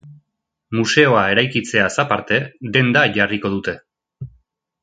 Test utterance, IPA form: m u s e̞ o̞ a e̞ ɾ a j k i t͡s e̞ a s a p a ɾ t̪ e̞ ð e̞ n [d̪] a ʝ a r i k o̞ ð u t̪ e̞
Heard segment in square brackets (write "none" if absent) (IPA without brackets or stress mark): d̪